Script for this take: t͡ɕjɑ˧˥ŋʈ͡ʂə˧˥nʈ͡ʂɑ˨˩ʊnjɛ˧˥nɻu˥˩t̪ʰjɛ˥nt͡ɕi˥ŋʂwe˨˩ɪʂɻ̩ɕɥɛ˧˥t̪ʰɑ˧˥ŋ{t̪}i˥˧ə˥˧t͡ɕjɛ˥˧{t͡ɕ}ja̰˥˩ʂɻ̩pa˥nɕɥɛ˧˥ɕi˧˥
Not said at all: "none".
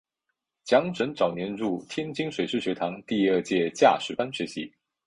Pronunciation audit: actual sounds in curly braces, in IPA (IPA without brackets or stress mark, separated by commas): t̪, t͡ɕ